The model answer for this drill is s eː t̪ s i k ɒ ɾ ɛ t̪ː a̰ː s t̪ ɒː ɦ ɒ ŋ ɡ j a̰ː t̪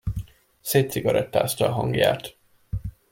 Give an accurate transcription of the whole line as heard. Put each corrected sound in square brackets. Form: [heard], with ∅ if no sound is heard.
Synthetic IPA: s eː t̪ s i [ɡ] ɒ ɾ ɛ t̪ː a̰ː s t̪ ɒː ɦ ɒ ŋ ɡ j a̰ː t̪